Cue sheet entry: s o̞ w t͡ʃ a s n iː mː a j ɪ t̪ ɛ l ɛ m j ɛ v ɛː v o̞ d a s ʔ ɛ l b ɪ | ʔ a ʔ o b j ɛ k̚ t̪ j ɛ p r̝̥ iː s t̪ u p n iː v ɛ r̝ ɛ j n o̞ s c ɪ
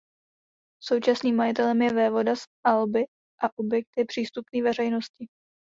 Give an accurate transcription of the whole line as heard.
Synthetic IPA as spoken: s o̞ w t͡ʃ a s n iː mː a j ɪ t̪ ɛ l ɛ m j ɛ v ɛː v o̞ d a s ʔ a l b ɪ | ʔ a ʔ o b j ɛ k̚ t̪ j ɛ p r̝̥ iː s t̪ u p n iː v ɛ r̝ ɛ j n o̞ s c ɪ